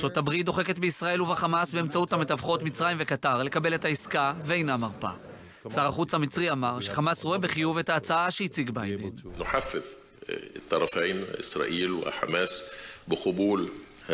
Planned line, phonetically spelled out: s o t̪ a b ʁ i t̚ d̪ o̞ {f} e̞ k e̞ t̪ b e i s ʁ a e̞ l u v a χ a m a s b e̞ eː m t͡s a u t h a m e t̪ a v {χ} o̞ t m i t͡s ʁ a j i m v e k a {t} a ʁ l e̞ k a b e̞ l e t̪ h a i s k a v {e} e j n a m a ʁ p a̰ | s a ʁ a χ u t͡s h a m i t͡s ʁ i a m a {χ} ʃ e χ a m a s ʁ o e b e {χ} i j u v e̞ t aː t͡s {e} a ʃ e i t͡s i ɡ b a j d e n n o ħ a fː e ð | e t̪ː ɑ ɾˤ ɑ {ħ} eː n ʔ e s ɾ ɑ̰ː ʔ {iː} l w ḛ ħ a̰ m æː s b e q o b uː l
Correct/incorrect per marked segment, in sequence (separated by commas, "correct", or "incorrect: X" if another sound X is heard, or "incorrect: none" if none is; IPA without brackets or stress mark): incorrect: χ, correct, correct, correct, incorrect: ʁ, correct, incorrect: a, incorrect: f, correct